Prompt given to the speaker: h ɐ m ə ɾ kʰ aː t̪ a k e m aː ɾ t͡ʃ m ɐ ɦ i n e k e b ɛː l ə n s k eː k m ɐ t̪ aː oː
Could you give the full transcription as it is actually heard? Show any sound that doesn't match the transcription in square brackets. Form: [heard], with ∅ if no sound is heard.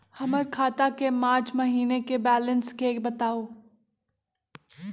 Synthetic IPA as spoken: h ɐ m ə ɾ kʰ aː t̪ a k e m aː ɾ t͡ʃ m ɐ ɦ [iː] n e k e b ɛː l ə n s k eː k [b] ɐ t̪ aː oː

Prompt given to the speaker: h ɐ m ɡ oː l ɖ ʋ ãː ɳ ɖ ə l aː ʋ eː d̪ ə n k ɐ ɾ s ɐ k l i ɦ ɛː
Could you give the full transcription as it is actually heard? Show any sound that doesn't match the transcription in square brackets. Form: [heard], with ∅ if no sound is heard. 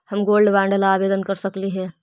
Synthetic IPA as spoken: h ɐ m ɡ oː l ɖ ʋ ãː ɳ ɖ ə l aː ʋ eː d̪ ə n k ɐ ɾ s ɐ k l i ɦ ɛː

